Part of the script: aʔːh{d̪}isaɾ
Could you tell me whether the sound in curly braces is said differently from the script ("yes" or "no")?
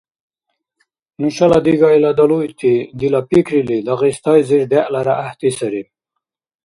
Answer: yes